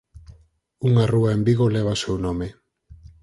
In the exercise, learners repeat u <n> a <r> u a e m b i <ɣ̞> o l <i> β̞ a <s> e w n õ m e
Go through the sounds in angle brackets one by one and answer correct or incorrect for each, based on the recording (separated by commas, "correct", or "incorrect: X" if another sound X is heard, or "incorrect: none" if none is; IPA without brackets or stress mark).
incorrect: ŋ, correct, correct, incorrect: e, correct